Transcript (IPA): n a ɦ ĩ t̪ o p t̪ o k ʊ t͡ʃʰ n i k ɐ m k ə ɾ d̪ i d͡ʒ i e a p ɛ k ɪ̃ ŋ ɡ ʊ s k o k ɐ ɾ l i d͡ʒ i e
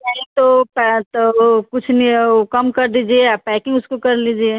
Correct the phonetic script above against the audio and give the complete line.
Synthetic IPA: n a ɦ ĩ t̪ o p t̪ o k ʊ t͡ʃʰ n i k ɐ m k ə ɾ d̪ i d͡ʒ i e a p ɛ k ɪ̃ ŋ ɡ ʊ s k o k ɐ ɾ l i d͡ʒ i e